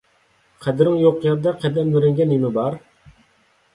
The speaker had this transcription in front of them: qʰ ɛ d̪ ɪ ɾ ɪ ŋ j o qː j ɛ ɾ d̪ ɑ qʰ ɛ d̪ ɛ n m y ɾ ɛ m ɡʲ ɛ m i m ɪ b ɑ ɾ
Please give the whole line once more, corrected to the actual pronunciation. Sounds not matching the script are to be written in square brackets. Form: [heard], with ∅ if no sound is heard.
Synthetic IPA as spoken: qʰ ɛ d̪ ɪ ɾ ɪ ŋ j o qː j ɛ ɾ d̪ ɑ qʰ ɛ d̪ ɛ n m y ɾ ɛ [ŋ] ɡʲ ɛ [n] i m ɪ b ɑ ɾ